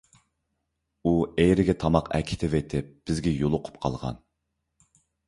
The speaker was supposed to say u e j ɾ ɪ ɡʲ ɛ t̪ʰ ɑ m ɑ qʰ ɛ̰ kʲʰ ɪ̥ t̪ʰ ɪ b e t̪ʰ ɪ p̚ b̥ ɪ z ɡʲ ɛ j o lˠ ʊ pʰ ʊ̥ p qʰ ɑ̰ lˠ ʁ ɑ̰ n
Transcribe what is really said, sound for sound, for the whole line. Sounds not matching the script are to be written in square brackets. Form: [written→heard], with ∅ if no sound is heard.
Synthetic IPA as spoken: u e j ɾ ɪ ɡʲ ɛ t̪ʰ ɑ m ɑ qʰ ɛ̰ kʲʰ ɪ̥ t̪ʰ ɪ [b→v] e t̪ʰ ɪ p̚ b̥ ɪ z ɡʲ ɛ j o lˠ ʊ [pʰ→qʰ] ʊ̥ p qʰ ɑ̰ lˠ ʁ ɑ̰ n

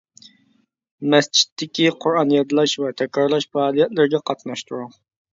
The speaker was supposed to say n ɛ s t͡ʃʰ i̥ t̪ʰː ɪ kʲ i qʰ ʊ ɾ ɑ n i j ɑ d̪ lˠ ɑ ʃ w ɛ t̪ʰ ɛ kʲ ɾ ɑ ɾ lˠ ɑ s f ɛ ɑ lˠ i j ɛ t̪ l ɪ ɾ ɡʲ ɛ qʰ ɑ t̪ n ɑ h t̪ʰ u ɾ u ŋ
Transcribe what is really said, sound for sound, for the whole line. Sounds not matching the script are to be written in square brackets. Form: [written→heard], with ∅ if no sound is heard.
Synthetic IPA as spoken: [n→m] ɛ s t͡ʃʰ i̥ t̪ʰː ɪ kʲ i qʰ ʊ ɾ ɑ n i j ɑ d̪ lˠ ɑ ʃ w ɛ t̪ʰ ɛ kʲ ɾ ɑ ɾ lˠ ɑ [s→ʃ] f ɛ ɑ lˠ i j ɛ t̪ l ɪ ɾ ɡʲ ɛ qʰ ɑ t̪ n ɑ [h→ʃ] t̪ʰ u ɾ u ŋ

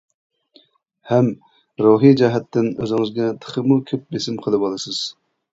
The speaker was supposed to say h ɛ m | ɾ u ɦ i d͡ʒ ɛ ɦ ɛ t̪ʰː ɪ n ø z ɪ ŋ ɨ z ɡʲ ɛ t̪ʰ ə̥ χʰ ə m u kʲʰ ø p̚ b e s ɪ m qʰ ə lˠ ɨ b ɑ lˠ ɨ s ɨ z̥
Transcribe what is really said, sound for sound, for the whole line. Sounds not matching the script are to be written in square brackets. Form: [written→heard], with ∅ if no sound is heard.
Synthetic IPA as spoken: h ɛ m | ɾ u ɦ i d͡ʒ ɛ ɦ ɛ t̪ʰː ɪ n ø z ɪ ŋ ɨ z ɡʲ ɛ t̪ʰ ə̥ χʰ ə m u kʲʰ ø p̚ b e s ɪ m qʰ ə lˠ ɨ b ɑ lˠ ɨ s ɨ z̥

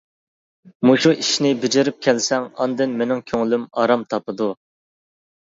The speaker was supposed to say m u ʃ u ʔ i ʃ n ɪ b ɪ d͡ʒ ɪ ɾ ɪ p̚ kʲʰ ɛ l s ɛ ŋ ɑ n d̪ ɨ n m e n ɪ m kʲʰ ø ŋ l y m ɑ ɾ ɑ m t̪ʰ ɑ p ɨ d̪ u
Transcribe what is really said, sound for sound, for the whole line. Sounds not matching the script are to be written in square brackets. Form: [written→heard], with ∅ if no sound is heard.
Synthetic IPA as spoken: m u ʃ u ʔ i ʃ n ɪ b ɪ d͡ʒ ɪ ɾ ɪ p̚ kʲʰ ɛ l s ɛ ŋ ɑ n d̪ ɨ n m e n ɪ [m→ŋ] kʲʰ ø ŋ l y m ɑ ɾ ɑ m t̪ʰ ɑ p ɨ d̪ u

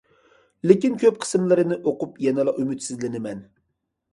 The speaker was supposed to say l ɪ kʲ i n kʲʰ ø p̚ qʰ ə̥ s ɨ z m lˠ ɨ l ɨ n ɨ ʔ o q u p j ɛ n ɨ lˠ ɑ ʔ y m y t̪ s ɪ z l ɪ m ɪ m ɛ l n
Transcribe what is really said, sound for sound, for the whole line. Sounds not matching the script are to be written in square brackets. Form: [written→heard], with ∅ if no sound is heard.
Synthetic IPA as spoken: l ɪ kʲ i n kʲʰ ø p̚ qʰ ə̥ s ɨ [z→∅] m lˠ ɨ [l→ɾ] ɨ n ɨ ʔ o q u p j ɛ n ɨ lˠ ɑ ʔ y m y t̪ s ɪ z l ɪ [m→n] ɪ m ɛ [l→∅] n

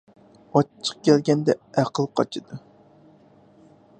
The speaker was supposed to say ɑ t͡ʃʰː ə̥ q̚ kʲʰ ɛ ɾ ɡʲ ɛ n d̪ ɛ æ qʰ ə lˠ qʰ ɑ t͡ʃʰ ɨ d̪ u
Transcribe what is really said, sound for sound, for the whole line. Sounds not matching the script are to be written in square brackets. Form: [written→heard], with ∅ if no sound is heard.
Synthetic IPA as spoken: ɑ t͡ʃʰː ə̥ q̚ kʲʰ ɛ [ɾ→l] ɡʲ ɛ n d̪ ɛ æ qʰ ə lˠ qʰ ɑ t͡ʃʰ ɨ d̪ u

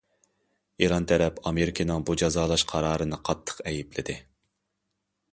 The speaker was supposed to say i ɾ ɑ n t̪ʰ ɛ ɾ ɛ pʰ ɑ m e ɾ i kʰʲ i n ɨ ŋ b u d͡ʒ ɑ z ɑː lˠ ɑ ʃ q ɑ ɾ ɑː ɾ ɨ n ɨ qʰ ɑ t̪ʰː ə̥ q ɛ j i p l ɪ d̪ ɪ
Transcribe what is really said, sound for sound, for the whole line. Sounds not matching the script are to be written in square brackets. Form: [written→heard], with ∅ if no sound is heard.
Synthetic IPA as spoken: i ɾ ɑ n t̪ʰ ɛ ɾ ɛ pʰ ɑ m e ɾ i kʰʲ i n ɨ ŋ b u d͡ʒ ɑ z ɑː lˠ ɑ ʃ [q→qʰ] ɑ ɾ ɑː ɾ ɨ n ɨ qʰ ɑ t̪ʰː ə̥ q ɛ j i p l ɪ d̪ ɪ

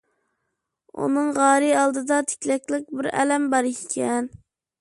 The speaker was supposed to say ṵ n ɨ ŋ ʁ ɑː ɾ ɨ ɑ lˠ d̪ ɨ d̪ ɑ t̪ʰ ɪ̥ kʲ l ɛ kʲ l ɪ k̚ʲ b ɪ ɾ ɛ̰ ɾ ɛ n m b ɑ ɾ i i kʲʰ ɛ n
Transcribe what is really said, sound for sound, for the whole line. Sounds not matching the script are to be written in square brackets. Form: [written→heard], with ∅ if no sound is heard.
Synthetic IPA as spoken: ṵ n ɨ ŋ ʁ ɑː ɾ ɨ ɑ lˠ d̪ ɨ d̪ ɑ t̪ʰ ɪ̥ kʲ l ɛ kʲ l ɪ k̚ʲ b ɪ ɾ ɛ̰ [ɾ→l] ɛ [n→∅] m b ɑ ɾ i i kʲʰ ɛ n

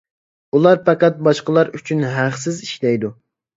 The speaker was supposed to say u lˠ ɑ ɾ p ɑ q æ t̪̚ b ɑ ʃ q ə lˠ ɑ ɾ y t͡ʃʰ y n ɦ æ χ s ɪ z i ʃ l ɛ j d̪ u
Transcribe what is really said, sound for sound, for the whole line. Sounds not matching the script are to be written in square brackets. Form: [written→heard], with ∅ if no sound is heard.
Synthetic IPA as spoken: u lˠ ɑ ɾ p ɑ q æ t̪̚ b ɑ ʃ q ə lˠ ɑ ɾ y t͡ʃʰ y n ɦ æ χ s ɪ z i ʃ l ɛ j d̪ u

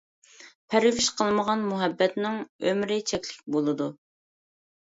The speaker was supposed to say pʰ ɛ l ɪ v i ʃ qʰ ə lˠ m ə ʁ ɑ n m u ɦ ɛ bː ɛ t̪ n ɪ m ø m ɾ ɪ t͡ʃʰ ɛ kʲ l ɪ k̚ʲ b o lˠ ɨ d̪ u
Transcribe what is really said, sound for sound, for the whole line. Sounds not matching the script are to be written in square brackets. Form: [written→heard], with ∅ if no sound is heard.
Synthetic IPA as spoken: pʰ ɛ [l→ɾ] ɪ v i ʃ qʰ ə lˠ m ə ʁ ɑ n m u ɦ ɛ bː ɛ t̪ n ɪ [m→ŋ] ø m ɾ ɪ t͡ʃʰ ɛ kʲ l ɪ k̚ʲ b o lˠ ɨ d̪ u

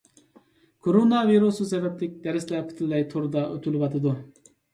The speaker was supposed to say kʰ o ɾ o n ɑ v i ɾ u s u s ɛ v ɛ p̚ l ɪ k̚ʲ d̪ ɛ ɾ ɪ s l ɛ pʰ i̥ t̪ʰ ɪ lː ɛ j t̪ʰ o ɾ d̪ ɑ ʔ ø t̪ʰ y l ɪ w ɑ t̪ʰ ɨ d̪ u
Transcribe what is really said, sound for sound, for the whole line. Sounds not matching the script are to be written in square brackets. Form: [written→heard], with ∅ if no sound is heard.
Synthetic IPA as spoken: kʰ o ɾ o n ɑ v i ɾ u s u s ɛ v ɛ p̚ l ɪ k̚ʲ d̪ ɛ ɾ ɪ s l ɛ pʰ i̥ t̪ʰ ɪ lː ɛ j t̪ʰ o ɾ d̪ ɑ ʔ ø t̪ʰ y l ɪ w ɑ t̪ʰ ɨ d̪ u

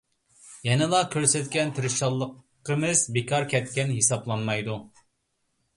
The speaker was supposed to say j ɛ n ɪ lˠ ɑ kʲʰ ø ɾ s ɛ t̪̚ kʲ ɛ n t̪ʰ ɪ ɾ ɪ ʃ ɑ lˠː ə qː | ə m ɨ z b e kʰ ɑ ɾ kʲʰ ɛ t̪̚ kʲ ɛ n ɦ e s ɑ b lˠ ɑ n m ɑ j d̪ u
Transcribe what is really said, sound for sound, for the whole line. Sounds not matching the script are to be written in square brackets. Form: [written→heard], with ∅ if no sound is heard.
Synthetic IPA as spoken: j ɛ n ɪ lˠ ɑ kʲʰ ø ɾ s ɛ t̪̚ kʲ ɛ n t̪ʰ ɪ ɾ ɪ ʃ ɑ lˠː ə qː | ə m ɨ z b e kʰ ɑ ɾ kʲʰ ɛ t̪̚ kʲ ɛ n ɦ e s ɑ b lˠ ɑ n m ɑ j d̪ u

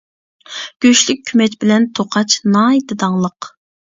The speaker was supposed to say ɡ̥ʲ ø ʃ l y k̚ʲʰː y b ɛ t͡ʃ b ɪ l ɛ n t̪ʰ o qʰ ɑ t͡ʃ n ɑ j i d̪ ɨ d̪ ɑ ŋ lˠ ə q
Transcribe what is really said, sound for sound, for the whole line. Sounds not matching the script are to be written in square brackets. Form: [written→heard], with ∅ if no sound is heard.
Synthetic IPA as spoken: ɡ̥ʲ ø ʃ l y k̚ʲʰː y [b→m] ɛ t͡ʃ b ɪ l ɛ n t̪ʰ o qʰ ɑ t͡ʃ n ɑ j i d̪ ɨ d̪ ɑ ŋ lˠ ə q

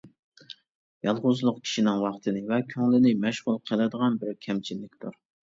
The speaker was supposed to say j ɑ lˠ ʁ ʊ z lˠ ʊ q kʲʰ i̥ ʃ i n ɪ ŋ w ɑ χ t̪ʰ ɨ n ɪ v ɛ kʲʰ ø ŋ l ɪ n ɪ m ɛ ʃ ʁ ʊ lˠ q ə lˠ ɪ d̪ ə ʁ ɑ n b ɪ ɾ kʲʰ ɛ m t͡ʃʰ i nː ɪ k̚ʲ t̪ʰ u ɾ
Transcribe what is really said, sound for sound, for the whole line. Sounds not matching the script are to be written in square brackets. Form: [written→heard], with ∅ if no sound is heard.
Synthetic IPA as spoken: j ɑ lˠ ʁ ʊ z lˠ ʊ q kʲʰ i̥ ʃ i n ɪ ŋ w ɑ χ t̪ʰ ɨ n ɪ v ɛ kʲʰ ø ŋ l ɪ n ɪ m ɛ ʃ ʁ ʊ lˠ [q→qʰ] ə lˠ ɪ d̪ ə ʁ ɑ n b ɪ ɾ kʲʰ ɛ m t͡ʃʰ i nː ɪ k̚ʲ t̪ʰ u ɾ

